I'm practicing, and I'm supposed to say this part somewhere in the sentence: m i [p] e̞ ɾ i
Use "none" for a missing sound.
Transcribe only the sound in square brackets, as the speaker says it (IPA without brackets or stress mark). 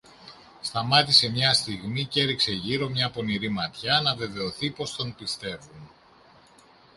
c